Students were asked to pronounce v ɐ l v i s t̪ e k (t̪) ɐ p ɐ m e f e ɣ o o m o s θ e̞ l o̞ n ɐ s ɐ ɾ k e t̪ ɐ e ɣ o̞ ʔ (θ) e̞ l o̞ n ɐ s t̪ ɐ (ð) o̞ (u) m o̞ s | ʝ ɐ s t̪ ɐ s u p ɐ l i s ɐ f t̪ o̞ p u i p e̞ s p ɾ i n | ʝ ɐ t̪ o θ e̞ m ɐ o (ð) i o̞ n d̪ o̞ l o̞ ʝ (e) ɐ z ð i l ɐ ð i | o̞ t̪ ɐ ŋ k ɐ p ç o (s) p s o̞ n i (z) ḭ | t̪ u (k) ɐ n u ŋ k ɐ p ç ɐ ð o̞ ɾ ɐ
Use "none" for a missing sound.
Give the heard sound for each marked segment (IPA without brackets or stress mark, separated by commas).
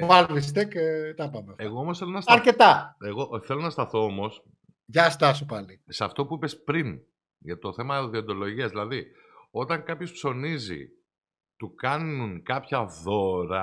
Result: t̪, θ, θ, o, ð, i, s, z, k